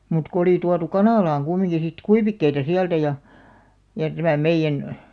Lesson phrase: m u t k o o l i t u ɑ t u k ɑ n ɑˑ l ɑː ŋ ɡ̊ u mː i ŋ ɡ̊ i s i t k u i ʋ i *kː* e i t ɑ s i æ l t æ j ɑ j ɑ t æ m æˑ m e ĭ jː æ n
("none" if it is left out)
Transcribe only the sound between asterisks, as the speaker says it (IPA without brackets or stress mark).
kː